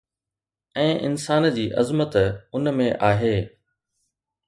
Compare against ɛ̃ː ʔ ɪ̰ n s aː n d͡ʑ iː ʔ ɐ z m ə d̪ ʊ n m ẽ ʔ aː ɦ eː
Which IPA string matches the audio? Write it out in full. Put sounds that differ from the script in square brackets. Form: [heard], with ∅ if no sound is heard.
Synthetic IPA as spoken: ɛ̃ː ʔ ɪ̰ n s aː n d͡ʑ iː ʔ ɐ z m ə [t̪] ʊ n m ẽ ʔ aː ɦ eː